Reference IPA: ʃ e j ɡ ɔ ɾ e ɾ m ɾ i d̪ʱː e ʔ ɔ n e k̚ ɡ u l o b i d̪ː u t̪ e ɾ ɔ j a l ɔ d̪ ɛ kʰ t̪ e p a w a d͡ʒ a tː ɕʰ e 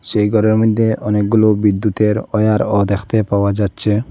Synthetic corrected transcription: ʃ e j ɡ ɔ ɾ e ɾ m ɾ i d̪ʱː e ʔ ɔ n e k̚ ɡ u l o b i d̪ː u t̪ e ɾ ɔ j a ɾ ɔ d̪ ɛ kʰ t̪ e p a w a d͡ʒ a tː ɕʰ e